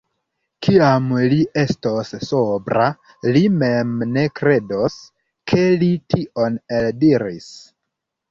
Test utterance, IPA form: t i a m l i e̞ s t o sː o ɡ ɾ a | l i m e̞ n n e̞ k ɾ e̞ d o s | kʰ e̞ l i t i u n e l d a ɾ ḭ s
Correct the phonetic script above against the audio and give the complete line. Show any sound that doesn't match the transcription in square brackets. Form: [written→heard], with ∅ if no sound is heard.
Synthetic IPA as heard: [t→k] i a m l i e̞ s t o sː o [ɡ→b] ɾ a | l i m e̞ [n→m] n e̞ k ɾ e̞ d o s | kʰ e̞ l i t i [u→o] n e l d [a→i] ɾ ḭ s